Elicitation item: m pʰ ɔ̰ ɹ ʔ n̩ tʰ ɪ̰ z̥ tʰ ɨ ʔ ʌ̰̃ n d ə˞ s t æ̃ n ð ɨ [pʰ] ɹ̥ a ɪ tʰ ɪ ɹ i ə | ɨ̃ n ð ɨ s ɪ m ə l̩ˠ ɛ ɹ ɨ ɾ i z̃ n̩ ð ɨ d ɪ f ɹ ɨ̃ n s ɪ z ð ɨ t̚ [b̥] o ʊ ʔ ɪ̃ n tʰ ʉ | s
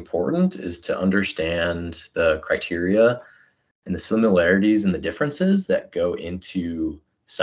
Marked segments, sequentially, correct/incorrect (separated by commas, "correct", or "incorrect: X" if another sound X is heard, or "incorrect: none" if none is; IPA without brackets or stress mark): incorrect: kʰ, incorrect: ɡ̥